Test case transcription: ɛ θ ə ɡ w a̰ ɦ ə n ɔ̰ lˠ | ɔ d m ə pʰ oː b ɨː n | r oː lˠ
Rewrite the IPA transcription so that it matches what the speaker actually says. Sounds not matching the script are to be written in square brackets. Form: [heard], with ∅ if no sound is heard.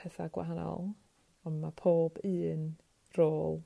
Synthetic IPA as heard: ɛ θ [a] ɡ w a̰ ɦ [a] n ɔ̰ lˠ | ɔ [n] m [a] pʰ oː b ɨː n | r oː lˠ